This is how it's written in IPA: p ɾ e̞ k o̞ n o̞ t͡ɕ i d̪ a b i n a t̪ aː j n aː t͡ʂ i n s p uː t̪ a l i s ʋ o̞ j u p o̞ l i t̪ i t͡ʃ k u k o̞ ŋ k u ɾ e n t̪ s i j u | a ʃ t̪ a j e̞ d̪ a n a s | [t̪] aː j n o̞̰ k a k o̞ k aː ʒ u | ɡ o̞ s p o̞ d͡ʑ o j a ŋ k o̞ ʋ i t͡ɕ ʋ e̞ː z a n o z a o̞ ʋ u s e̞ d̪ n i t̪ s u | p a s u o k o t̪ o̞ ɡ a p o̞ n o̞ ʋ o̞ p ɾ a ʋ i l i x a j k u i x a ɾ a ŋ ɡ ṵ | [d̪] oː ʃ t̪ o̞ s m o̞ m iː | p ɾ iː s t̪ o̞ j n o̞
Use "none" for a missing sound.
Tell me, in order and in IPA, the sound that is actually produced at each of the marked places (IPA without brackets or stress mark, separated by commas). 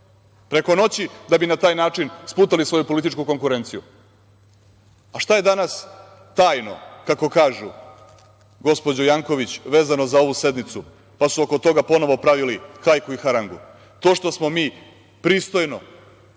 t̪, t̪